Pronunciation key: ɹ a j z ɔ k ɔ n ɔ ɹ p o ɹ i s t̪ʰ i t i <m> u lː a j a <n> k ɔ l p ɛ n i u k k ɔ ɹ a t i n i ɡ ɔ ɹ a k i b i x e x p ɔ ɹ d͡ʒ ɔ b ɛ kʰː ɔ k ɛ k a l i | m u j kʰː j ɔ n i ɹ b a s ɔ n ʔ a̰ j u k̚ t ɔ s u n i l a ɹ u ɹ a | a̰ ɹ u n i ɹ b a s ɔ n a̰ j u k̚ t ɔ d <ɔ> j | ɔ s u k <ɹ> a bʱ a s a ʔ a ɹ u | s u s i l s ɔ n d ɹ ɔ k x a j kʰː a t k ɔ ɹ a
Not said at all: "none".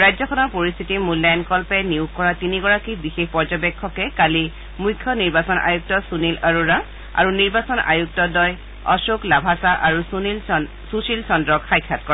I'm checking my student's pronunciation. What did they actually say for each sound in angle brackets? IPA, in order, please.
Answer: m, n, ɔ, l

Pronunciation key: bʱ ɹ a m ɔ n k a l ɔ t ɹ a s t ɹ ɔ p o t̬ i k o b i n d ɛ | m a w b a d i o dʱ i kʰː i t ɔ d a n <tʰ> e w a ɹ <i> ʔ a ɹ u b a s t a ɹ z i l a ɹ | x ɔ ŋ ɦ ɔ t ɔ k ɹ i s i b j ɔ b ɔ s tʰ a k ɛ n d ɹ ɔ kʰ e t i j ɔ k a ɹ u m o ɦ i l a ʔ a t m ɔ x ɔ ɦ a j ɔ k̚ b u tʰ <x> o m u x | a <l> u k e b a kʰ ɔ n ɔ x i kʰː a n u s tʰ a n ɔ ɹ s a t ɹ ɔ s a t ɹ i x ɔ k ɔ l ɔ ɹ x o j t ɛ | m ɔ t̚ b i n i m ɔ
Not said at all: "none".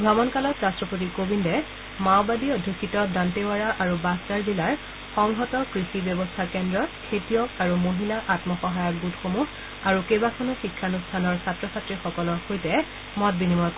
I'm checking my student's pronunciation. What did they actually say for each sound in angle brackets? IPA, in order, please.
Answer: t, a, x, ɹ

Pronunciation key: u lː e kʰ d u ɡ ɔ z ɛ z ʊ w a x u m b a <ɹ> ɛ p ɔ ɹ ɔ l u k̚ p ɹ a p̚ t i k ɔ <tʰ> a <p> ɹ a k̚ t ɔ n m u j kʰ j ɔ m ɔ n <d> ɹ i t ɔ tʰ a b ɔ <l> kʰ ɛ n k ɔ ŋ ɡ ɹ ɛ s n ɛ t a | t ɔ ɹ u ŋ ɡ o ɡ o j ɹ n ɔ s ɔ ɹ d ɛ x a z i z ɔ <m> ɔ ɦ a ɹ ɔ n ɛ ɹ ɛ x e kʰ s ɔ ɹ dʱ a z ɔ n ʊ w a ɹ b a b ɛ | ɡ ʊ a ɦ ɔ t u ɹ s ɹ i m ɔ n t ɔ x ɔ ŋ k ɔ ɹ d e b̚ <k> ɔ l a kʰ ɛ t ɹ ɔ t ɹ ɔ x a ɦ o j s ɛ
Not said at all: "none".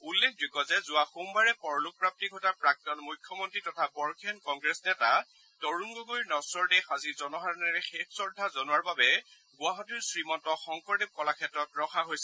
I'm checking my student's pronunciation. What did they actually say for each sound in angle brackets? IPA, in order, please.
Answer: ɹ, t, p, t, ɹ, n, k

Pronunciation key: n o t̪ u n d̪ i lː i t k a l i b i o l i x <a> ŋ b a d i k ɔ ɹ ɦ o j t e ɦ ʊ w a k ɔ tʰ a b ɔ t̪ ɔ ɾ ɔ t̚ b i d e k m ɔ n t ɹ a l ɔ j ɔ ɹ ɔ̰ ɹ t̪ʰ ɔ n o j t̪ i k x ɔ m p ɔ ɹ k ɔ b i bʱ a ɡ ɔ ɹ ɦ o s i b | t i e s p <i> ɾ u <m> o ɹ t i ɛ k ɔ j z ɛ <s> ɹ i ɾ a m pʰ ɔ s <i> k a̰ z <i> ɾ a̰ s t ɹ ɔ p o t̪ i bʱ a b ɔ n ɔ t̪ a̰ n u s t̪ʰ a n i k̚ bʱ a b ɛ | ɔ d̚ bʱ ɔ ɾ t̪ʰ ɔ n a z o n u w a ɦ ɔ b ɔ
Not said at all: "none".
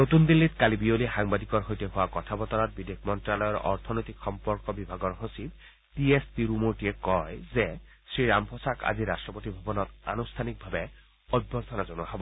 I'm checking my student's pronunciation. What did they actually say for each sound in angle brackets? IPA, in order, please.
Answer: a, i, m, s, a, i

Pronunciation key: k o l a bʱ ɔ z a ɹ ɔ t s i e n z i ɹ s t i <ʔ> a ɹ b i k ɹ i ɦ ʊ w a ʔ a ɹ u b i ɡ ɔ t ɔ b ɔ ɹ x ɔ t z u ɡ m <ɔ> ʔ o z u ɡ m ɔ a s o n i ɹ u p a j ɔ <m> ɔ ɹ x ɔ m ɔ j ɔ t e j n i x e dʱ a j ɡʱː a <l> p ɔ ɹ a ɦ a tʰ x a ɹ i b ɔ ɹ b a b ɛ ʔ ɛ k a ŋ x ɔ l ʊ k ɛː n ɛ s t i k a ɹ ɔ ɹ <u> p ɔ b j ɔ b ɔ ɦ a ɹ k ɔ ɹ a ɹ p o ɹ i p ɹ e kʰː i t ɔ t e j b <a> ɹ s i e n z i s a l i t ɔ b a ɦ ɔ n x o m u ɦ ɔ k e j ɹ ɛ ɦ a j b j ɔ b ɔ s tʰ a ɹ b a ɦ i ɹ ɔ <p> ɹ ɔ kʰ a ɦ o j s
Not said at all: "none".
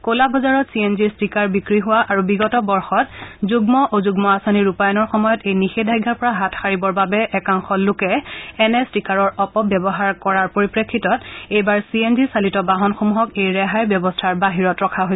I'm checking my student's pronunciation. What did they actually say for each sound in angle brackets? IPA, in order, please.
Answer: k, ɔ, n, ɹ, ɔ, a, t

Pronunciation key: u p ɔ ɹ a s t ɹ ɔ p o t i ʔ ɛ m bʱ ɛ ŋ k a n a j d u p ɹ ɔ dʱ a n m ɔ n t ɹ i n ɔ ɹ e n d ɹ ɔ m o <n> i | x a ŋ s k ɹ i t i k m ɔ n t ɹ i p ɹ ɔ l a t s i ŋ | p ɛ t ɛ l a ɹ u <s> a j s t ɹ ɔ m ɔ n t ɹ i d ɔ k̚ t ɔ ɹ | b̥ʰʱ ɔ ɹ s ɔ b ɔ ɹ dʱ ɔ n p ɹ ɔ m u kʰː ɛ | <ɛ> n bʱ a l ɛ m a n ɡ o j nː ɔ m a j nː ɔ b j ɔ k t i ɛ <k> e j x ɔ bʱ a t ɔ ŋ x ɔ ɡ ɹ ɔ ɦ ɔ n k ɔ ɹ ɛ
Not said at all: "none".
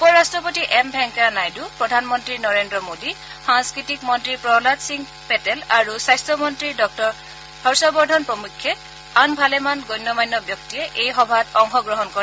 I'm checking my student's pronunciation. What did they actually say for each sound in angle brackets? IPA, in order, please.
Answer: d, s, a, ʔ

